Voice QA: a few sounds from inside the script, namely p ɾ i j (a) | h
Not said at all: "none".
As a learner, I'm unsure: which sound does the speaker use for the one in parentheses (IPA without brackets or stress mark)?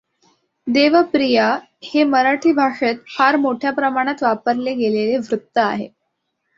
a